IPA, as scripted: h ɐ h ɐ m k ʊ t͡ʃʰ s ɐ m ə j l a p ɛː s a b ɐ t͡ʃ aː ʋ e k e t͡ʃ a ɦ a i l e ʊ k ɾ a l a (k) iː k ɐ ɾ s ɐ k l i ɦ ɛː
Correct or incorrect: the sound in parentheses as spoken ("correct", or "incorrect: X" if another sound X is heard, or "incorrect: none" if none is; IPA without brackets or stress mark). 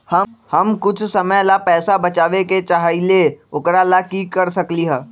correct